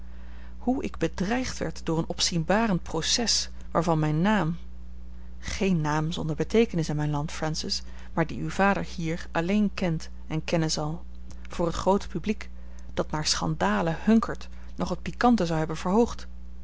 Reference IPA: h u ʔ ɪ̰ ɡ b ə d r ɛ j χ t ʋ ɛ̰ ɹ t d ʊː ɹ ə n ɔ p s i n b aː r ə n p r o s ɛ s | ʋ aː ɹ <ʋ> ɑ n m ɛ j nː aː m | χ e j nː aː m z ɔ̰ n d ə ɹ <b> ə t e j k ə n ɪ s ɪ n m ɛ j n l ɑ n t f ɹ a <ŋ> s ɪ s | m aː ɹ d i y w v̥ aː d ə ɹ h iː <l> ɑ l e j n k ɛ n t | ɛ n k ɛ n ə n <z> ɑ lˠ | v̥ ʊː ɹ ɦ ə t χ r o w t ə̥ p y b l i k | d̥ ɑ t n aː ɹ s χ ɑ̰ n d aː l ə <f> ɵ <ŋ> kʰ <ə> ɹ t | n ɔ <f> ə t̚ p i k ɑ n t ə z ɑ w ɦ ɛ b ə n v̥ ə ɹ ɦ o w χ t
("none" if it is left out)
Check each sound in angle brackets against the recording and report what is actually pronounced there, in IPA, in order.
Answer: v, b, n, ɹ, z, h, ŋ, ə, χ

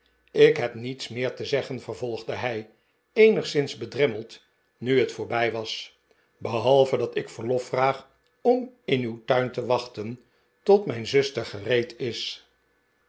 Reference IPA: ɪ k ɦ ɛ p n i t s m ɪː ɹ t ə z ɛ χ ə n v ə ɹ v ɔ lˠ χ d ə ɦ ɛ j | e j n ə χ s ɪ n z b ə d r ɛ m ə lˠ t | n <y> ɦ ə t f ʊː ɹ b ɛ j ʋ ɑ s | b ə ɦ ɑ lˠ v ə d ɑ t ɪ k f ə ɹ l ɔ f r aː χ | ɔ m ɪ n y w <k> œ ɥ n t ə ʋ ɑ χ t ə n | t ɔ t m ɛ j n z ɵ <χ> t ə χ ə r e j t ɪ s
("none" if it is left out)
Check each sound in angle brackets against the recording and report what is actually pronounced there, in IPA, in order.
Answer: y, t, s

